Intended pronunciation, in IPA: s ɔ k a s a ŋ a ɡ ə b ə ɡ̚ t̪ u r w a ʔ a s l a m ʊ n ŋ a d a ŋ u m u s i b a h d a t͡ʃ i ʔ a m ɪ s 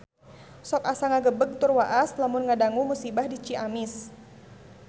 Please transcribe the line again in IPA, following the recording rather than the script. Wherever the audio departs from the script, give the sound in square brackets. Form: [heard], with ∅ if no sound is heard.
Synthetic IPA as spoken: s ɔ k a s a ŋ a ɡ ə b ə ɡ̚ t̪ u r w a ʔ a s l a m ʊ n ŋ a d a ŋ u m u s i b a h d [i] t͡ʃ i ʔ a m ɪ s